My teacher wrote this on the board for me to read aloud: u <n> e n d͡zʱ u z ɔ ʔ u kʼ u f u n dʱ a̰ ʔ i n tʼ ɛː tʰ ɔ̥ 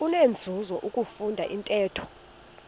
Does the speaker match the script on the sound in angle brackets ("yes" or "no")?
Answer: yes